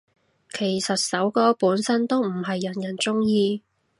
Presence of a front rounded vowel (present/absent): absent